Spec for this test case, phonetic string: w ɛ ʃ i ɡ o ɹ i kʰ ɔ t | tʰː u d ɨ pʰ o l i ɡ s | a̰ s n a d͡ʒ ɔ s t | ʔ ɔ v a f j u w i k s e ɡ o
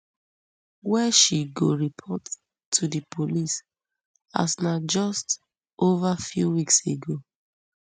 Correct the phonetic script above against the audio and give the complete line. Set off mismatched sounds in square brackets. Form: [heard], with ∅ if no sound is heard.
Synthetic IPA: w ɛ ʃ i ɡ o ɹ i [pʰ] ɔ t | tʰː u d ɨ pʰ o l i [∅] s | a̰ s n a d͡ʒ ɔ s t | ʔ [o] v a f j u w i k s e ɡ o